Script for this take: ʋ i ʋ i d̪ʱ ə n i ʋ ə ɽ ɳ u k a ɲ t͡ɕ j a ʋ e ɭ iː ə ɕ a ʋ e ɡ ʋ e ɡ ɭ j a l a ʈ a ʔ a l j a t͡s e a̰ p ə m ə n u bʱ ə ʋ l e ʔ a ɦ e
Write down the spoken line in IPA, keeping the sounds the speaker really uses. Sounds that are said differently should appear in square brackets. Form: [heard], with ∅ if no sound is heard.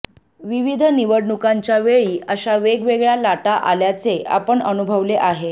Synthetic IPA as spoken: ʋ i ʋ i d̪ʱ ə n i ʋ ə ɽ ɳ u k a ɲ t͡ɕ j a ʋ e ɭ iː ə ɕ a ʋ e ɡ ʋ e ɡ ɭ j a l a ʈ a ʔ a l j a t͡s e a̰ p ə [ɳ] ə n u bʱ ə ʋ l e ʔ a ɦ e